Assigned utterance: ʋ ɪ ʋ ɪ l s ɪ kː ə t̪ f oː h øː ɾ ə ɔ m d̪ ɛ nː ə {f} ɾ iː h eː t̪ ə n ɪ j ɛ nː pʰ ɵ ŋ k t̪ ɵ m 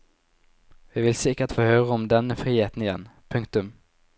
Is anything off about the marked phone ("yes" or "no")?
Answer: no